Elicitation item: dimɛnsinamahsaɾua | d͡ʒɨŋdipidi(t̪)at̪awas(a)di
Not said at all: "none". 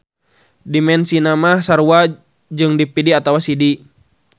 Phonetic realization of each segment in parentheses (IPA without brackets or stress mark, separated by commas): none, i